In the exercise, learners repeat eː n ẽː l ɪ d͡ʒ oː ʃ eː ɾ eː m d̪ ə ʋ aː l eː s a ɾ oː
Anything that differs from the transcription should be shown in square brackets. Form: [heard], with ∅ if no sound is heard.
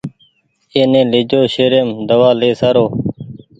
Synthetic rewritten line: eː n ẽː l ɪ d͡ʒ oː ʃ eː ɾ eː m d̪ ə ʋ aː l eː s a ɾ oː